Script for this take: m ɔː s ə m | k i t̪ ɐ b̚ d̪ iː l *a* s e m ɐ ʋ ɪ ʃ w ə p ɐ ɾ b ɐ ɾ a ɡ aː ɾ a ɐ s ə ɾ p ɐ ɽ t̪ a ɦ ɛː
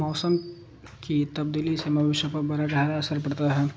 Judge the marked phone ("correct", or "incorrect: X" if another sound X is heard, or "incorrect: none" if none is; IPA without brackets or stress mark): incorrect: i